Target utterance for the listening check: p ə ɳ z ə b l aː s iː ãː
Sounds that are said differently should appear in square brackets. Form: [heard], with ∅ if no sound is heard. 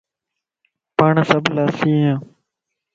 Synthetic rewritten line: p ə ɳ [s] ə b l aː s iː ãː